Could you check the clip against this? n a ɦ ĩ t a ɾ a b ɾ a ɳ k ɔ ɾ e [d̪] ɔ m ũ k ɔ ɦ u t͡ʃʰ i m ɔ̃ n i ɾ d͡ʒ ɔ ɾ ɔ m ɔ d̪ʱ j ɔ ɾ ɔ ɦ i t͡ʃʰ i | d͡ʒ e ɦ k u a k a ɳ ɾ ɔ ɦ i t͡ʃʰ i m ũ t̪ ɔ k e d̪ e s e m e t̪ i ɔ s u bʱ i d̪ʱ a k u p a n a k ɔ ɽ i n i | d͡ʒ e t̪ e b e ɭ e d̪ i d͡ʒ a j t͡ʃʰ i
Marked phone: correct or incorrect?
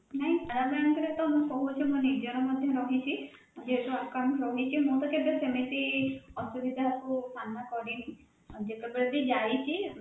incorrect